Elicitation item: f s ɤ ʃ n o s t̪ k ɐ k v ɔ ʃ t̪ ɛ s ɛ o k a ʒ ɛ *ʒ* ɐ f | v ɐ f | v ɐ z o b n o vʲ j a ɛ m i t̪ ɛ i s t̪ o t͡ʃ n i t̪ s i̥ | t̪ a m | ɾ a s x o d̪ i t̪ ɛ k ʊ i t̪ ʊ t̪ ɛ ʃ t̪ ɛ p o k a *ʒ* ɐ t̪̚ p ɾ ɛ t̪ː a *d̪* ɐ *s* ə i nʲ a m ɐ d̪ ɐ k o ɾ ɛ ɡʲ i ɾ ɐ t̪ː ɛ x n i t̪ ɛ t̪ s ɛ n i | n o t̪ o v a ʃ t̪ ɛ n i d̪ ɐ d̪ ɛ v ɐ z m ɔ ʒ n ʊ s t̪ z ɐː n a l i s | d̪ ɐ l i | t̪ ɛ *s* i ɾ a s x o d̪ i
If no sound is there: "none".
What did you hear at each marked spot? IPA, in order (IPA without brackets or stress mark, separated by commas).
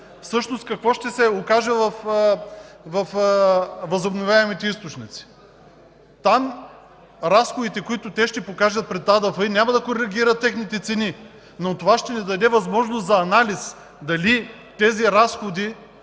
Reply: v, ʒ, d̪, f, z